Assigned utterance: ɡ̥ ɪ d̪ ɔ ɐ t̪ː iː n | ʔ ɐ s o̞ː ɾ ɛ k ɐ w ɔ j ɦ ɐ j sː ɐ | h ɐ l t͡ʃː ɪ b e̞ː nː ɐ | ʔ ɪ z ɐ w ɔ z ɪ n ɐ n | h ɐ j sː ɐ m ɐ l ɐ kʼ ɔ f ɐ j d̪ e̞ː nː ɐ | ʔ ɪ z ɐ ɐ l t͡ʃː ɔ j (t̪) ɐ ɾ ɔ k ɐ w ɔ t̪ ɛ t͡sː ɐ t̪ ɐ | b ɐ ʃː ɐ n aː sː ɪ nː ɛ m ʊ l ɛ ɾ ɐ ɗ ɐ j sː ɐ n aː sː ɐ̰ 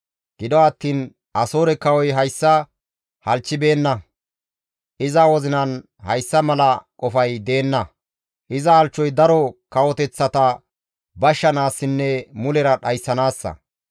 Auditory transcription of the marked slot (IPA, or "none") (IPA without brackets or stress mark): d̪